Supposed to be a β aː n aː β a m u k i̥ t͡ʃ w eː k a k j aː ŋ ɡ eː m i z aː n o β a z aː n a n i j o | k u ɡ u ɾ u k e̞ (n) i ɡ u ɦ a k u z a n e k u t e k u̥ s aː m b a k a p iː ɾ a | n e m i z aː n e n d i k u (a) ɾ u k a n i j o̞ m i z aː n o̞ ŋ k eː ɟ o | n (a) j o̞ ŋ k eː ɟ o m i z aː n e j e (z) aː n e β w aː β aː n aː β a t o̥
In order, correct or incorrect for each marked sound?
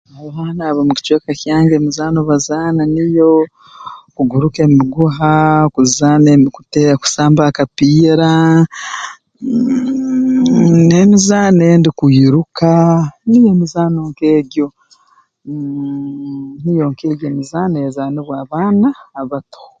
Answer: incorrect: m, incorrect: i, incorrect: i, correct

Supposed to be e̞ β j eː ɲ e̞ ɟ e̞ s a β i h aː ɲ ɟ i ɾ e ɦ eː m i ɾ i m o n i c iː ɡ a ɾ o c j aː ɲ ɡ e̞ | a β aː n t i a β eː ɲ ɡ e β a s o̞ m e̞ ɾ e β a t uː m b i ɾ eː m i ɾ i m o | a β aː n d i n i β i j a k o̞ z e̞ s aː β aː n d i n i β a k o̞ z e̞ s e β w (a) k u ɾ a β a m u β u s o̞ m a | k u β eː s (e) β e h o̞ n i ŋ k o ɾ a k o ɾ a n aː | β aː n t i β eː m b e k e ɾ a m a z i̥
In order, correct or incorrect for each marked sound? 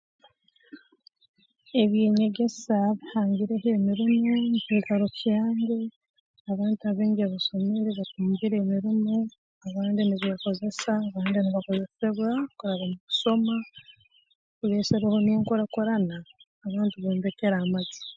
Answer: correct, correct

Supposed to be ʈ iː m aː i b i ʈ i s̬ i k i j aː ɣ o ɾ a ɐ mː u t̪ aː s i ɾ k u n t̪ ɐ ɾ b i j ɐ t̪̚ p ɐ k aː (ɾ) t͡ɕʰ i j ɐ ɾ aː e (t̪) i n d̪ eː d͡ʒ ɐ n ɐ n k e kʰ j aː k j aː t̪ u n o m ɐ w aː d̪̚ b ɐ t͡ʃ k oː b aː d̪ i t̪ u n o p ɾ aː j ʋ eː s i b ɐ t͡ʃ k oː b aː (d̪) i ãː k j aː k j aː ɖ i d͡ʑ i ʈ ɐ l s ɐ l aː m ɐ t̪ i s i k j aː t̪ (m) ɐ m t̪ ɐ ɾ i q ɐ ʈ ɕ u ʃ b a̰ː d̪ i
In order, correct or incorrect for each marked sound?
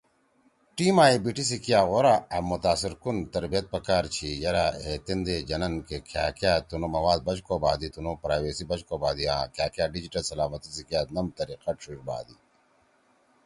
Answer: correct, correct, correct, incorrect: n

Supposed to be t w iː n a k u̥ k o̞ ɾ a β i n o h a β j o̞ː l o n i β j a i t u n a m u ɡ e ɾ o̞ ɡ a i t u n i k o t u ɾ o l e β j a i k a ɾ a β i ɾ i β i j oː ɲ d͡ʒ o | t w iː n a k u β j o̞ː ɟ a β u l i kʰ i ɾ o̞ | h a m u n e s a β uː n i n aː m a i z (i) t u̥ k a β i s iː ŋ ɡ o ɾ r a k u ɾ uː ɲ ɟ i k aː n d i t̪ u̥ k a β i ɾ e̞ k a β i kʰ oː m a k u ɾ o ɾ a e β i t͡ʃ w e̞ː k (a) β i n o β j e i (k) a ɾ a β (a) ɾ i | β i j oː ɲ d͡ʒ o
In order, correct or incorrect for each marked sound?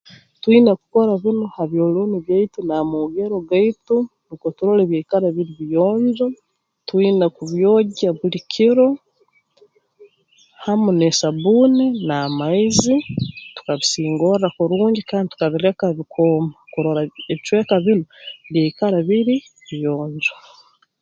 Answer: correct, correct, correct, incorrect: i

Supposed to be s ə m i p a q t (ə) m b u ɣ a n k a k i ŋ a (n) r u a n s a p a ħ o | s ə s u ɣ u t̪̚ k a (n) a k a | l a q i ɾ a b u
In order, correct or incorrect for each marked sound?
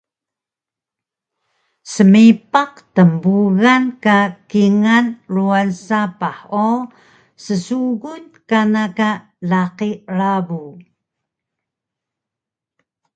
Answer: correct, correct, correct

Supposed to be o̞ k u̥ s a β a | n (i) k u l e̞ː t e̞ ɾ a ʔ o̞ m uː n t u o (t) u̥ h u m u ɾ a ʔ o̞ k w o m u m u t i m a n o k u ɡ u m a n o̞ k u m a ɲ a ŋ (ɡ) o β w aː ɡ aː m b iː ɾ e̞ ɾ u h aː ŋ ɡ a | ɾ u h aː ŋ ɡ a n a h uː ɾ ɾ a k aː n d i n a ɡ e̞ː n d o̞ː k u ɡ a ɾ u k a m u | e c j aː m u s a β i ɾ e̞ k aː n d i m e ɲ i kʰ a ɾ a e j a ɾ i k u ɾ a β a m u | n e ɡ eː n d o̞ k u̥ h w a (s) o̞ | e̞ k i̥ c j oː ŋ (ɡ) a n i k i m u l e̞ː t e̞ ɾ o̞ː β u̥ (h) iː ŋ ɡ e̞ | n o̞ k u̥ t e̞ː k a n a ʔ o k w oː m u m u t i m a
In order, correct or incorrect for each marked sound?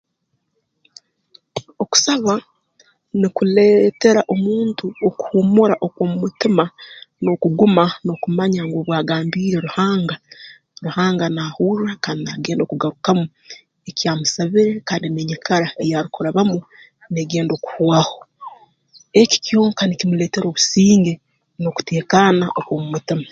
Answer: correct, incorrect: k, correct, incorrect: h, incorrect: k, incorrect: s

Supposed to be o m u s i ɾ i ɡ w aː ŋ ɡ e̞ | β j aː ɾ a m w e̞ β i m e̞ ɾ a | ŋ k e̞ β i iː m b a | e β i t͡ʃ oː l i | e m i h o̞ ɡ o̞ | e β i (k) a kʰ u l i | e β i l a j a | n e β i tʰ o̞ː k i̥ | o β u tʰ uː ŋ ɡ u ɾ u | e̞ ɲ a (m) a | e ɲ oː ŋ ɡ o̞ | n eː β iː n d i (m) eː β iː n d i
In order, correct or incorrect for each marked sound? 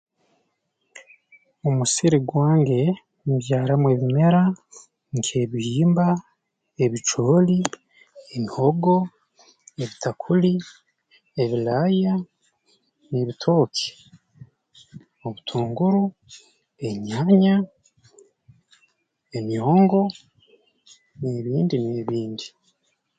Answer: incorrect: t, incorrect: ɲ, incorrect: n

